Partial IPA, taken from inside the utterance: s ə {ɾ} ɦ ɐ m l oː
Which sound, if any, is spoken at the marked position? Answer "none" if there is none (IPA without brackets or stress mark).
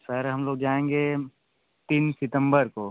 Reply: ɾ